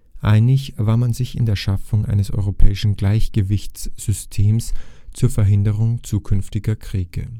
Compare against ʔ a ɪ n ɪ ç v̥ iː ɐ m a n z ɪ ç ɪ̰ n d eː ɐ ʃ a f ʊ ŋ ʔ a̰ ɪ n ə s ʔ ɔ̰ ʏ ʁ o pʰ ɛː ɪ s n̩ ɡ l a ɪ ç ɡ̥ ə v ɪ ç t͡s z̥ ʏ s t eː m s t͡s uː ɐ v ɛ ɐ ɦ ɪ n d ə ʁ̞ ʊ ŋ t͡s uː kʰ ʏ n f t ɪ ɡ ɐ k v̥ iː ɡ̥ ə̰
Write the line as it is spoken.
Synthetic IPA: ʔ a ɪ n ɪ ç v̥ aː ɐ m a n z ɪ ç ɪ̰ n d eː ɐ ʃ a f ʊ ŋ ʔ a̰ ɪ n ə s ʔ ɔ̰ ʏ ʁ o pʰ ɛː ɪ ʃ n̩ ɡ l a ɪ ç ɡ̥ ə v ɪ ç t͡s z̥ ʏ s tʰ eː m s t͡s uː ɐ f ɛ ɐ ɦ ɪ n d ə ʁ̞ ʊ ŋ t͡s uː kʰ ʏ n f t ɪ ɡ ɐ k ʁ̥ iː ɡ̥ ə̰